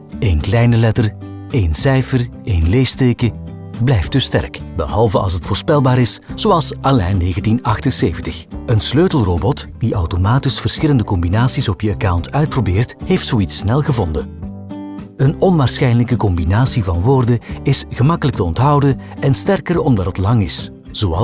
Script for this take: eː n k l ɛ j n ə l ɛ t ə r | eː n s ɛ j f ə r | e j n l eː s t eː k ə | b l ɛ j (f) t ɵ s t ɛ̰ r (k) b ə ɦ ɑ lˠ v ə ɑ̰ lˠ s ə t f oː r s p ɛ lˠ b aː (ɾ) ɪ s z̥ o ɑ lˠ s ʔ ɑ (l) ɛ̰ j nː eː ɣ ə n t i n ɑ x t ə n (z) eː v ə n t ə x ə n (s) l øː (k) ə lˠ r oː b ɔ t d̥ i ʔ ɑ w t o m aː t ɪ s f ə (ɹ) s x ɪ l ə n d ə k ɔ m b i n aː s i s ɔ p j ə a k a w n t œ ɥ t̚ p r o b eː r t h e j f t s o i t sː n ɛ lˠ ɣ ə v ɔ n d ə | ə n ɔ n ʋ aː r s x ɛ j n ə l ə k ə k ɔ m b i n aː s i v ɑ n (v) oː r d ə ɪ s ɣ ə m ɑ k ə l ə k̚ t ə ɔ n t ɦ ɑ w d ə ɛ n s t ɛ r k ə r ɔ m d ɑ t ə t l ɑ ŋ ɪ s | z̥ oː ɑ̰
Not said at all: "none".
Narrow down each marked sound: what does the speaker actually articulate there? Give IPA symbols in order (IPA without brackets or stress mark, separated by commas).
f, k, ɾ, l, s, s, t, r, ʋ